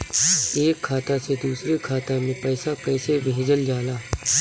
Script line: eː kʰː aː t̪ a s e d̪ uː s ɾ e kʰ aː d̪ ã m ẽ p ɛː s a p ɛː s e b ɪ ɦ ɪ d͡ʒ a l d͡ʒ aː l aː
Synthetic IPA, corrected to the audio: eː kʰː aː t̪ a s e d̪ uː s ɾ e kʰ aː t̪ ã m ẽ p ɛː s a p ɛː s e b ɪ ɦ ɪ d͡ʒ ə l d͡ʒ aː l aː